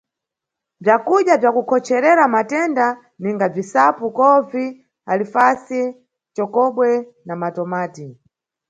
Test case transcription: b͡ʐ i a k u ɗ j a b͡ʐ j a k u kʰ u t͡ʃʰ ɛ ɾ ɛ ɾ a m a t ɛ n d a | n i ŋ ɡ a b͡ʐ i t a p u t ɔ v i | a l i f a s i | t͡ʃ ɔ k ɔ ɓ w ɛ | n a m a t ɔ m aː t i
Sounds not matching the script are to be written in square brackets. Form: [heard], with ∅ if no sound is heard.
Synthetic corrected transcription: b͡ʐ [j] a k u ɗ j a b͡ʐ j a k u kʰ [ɔ] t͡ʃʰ ɛ ɾ ɛ ɾ a m a t ɛ n d a | n i ŋ ɡ a b͡ʐ i [s] a p u [k] ɔ v i | a l i f a s i | t͡ʃ ɔ k ɔ ɓ w ɛ | n a m a t ɔ m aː t i